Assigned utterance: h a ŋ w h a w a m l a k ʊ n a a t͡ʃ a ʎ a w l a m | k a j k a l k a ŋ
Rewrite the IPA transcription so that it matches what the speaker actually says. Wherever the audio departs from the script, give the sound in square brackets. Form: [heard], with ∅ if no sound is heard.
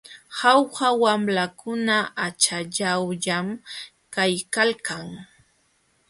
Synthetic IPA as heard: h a [∅] w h a w a m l a k ʊ n a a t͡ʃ a ʎ a w [ʎ] a m | k a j k a l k a ŋ